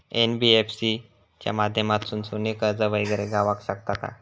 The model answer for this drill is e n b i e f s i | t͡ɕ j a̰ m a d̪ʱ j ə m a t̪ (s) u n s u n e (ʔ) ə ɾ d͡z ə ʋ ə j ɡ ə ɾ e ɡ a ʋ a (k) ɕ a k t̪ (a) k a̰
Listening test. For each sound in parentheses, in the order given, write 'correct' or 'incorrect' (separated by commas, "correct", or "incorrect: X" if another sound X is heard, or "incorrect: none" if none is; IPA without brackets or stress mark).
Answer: correct, incorrect: k, correct, correct